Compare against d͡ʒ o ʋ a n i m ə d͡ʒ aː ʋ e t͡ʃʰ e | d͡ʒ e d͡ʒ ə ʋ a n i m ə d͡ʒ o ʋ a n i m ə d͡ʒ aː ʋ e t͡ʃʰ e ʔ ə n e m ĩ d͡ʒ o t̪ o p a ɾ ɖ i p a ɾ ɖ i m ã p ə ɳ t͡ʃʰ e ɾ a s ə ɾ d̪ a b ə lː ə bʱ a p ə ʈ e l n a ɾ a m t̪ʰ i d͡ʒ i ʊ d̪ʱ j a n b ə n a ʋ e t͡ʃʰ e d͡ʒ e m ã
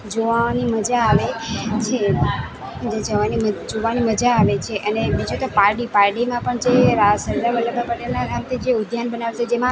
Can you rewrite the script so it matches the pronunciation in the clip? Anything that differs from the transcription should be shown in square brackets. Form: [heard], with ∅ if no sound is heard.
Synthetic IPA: d͡ʒ o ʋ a n i m ə d͡ʒ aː ʋ e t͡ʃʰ e | d͡ʒ e d͡ʒ ə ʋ a n i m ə d͡ʒ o ʋ a n i m ə d͡ʒ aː ʋ e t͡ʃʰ e ʔ ə n e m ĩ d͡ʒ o t̪ o p a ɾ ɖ i p a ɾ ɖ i m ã p ə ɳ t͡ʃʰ e ɾ a s ə ɾ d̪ a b ə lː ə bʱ a p ə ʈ e l n a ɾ a m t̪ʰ i d͡ʒ [e] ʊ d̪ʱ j a n b ə n a ʋ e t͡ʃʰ e d͡ʒ e m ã